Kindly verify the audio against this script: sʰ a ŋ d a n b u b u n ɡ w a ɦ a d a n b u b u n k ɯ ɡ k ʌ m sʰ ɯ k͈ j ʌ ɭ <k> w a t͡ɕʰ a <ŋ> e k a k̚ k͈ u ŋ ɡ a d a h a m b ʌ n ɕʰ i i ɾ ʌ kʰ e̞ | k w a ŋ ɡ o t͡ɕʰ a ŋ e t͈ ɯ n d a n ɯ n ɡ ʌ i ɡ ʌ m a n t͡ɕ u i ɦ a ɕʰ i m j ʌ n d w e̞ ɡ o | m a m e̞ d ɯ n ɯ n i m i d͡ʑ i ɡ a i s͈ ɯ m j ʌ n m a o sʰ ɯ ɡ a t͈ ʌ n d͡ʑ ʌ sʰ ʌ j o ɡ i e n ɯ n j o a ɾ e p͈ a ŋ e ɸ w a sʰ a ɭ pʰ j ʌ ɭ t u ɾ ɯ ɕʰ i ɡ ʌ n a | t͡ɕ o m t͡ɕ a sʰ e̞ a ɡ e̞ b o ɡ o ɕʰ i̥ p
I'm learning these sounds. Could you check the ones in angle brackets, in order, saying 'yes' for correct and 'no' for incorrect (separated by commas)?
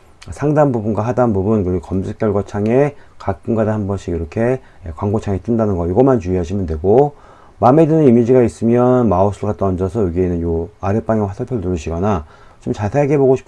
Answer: no, yes